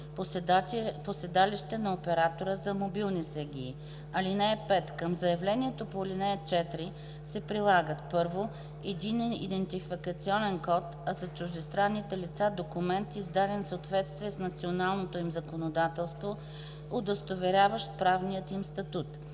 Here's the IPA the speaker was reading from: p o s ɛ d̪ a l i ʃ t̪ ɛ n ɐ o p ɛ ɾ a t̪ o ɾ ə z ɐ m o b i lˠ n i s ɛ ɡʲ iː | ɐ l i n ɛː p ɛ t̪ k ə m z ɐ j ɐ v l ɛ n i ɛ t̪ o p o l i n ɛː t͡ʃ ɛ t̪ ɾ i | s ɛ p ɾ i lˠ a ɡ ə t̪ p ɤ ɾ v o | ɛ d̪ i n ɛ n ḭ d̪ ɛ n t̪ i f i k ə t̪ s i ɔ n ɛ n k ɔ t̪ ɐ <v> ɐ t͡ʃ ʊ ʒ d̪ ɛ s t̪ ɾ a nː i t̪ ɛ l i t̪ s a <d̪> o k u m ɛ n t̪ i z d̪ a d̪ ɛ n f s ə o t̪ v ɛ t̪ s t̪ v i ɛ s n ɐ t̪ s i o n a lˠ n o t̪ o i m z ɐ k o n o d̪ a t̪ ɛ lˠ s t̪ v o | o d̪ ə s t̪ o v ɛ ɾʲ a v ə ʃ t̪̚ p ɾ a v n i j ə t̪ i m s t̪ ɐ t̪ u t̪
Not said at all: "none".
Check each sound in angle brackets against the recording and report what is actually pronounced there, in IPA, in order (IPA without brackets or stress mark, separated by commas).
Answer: z, d̪